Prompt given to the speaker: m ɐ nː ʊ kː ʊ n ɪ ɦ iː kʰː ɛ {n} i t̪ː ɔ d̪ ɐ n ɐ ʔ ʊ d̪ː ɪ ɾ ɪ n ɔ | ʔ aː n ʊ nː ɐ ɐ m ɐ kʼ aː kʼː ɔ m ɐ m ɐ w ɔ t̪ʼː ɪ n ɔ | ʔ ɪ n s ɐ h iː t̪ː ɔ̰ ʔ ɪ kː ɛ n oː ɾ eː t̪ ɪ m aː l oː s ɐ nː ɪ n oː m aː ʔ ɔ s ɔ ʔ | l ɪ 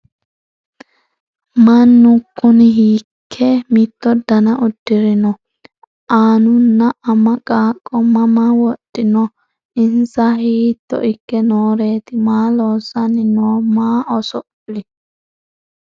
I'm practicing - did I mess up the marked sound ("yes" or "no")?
yes